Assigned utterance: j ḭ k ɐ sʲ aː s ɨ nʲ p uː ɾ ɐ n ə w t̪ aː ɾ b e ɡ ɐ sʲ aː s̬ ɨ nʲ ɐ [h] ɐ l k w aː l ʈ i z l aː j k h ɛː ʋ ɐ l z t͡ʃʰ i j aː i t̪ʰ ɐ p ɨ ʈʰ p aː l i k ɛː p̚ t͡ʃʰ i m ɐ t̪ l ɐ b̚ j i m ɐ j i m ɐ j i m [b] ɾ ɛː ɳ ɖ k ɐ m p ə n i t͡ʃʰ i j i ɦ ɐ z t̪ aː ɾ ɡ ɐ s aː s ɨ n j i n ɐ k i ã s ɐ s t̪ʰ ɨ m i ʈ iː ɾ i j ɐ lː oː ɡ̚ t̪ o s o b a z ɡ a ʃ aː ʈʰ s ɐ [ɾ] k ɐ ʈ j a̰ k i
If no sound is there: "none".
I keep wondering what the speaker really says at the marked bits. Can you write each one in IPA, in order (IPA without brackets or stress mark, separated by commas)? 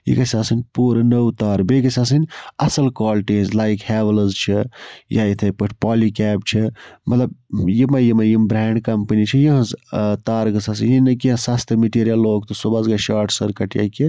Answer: s, b, ɾ